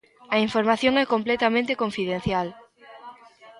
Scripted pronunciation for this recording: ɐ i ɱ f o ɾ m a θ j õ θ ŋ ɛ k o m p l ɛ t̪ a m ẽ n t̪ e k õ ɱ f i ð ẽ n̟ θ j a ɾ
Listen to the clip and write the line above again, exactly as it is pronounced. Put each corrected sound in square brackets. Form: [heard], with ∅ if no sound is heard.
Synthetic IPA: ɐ i ɱ f o ɾ m a θ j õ [∅] ŋ ɛ k o m p l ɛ t̪ a m ẽ n t̪ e k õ ɱ f i ð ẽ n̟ θ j a [l]